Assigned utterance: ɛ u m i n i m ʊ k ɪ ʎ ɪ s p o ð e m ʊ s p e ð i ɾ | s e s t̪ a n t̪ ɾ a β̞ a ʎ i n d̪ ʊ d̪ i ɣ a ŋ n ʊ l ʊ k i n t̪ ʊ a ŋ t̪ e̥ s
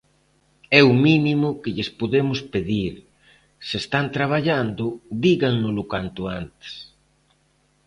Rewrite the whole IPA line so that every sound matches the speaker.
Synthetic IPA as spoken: ɛ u m i n i m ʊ k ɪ ʎ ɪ s p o ð e m ʊ s p e ð i ɾ | s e s t̪ a n t̪ ɾ a β̞ a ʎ a n d̪ ʊ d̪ i ɣ a ŋ n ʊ l ʊ k a n t̪ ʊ a n t̪ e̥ s